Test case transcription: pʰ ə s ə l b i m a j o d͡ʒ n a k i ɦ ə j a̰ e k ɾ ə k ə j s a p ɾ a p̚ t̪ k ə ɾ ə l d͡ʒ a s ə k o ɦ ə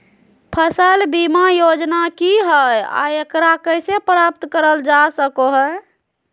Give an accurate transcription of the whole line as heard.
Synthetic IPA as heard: pʰ ə s ə l b i m a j o d͡ʒ n a k i ɦ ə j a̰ e k ɾ a k ə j s e p ɾ a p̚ t̪ k ə ɾ ə l d͡ʒ a s ə k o ɦ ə